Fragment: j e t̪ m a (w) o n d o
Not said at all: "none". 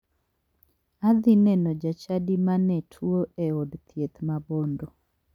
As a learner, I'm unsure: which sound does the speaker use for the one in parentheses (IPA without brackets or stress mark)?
b